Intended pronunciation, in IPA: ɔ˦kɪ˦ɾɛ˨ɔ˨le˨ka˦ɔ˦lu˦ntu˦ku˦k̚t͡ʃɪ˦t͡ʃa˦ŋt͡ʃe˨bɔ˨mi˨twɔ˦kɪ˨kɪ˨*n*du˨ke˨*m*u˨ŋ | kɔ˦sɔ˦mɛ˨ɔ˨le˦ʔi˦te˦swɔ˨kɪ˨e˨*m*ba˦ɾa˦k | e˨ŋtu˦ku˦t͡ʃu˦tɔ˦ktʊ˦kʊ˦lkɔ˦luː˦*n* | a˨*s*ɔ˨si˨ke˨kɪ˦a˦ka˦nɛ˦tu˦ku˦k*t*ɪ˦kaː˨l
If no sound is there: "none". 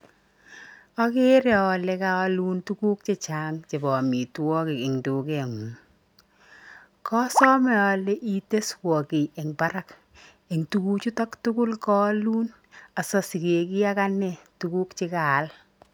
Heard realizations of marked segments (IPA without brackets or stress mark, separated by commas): ŋ, ŋ, ŋ, n, s, t͡ʃ